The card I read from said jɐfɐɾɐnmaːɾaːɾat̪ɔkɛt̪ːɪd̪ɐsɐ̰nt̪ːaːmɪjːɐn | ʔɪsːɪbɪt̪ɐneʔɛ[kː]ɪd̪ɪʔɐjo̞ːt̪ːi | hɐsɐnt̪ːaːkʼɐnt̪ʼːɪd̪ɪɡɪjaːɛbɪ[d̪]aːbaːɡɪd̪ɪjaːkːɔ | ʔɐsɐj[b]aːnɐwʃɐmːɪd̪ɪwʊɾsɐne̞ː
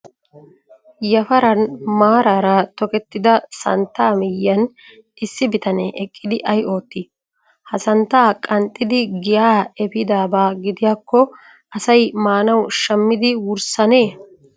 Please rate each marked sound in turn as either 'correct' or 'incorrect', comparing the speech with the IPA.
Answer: incorrect: kʼː, correct, incorrect: m

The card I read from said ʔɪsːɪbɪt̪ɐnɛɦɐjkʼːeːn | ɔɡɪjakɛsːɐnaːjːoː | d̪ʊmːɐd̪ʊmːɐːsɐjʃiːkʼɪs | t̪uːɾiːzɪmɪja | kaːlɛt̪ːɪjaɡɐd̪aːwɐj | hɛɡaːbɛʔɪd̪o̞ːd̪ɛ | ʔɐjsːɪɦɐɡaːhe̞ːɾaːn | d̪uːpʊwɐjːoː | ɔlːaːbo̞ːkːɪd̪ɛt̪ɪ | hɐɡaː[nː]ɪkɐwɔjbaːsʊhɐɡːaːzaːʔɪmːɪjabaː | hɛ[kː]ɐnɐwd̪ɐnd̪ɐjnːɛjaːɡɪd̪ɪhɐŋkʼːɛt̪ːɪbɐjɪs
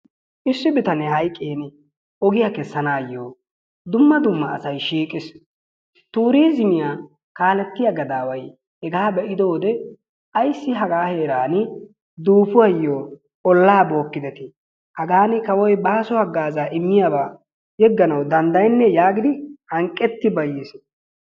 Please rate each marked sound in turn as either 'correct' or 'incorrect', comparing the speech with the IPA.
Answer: incorrect: n, incorrect: ɡː

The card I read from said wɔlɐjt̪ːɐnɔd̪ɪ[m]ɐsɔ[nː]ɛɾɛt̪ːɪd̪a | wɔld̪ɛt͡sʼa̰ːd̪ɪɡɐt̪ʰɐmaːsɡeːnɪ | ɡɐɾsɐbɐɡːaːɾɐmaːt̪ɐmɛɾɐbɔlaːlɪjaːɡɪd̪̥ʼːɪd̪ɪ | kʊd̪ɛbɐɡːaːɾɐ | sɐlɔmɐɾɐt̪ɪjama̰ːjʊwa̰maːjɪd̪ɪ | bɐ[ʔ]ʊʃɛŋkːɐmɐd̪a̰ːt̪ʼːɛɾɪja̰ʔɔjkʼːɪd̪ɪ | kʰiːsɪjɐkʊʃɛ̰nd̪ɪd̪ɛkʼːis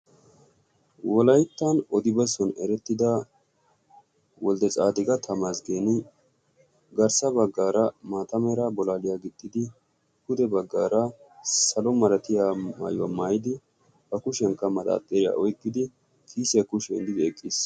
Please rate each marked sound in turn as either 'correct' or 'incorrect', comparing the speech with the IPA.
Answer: incorrect: b, incorrect: n, incorrect: k

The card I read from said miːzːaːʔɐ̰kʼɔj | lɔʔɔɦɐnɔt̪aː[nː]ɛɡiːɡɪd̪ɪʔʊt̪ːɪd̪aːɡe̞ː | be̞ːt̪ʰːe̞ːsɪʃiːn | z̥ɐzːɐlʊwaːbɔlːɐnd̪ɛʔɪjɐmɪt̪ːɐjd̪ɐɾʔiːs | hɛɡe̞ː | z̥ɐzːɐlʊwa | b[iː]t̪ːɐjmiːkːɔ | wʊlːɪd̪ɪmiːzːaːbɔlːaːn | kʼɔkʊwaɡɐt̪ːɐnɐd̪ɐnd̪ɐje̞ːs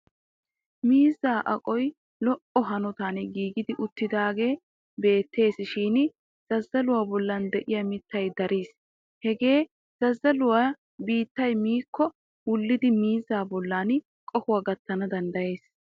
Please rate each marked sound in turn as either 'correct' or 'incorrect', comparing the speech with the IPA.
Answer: incorrect: n, correct

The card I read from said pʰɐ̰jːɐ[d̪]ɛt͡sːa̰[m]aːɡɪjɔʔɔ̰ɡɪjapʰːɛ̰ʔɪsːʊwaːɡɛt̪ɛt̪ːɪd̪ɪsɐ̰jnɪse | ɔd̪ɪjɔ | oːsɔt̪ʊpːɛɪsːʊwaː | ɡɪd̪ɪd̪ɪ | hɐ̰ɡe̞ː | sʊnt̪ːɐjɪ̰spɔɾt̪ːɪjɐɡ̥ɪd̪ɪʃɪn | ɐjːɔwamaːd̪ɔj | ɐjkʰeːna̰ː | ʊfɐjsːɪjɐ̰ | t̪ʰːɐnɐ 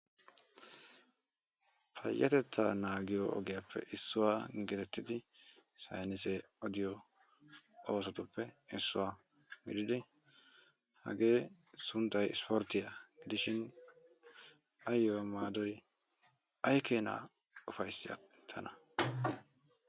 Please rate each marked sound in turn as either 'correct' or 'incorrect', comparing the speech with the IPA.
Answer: incorrect: t̪, incorrect: n

